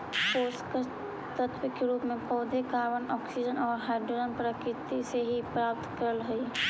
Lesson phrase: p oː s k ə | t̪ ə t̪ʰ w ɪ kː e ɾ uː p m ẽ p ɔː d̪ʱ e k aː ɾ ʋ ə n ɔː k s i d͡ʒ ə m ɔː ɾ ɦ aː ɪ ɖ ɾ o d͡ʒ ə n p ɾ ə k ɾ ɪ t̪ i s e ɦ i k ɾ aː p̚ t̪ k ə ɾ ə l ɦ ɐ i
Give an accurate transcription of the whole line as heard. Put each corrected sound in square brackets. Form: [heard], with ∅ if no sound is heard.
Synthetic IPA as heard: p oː s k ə | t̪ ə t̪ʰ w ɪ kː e ɾ uː p m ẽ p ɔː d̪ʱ e k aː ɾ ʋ ə n ɔː k s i d͡ʒ ə [n] ɔː ɾ ɦ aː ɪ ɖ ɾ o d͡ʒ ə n p ɾ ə k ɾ ɪ t̪ i s e ɦ i [p] ɾ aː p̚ t̪ k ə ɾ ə l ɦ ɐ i